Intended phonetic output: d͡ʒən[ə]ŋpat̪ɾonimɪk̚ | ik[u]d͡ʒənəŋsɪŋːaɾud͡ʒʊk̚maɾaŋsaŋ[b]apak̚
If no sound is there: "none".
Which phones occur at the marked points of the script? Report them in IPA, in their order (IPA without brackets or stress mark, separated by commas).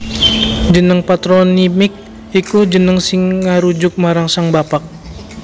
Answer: ə, u, b